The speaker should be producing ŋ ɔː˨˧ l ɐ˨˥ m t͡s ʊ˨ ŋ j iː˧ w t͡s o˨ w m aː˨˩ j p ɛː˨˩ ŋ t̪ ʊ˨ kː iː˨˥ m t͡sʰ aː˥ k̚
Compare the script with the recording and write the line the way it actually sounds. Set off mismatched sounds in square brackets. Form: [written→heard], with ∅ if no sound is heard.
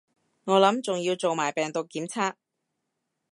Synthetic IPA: ŋ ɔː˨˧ l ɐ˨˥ m t͡s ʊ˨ ŋ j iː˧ w t͡s o˨ w m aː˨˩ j p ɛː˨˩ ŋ t̪ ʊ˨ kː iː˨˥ m t͡sʰ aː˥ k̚